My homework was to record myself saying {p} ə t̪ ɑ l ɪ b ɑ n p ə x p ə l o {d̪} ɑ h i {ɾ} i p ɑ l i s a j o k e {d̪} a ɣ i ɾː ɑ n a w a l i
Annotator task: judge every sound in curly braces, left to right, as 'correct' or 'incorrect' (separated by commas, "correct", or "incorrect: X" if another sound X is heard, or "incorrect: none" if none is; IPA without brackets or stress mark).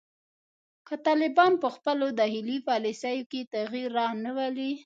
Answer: incorrect: k, correct, incorrect: l, incorrect: t̪